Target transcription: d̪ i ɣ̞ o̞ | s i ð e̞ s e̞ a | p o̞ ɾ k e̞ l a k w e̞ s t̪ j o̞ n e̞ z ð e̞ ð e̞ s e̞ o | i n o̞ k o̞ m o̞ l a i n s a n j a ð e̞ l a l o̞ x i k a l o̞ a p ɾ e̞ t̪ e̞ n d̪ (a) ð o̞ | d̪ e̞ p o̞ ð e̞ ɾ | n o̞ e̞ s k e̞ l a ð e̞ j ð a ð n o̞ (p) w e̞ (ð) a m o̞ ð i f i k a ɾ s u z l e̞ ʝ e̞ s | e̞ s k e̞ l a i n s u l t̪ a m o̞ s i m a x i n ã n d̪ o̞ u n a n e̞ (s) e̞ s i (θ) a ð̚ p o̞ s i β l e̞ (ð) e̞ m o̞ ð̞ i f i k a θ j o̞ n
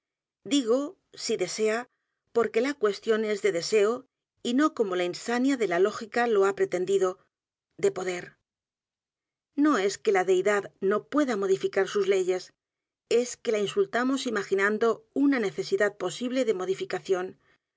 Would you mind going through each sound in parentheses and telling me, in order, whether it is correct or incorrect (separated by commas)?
incorrect, correct, correct, incorrect, incorrect, correct